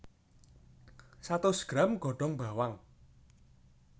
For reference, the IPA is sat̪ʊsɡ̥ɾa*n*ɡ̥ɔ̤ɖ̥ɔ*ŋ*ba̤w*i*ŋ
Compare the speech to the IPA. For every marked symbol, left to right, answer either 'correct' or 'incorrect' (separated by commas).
incorrect, correct, incorrect